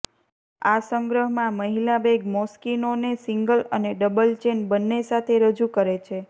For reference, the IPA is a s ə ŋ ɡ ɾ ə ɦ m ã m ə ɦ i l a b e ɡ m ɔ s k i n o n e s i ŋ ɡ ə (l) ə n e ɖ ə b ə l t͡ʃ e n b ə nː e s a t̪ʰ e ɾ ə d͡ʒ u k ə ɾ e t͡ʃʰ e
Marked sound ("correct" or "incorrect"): correct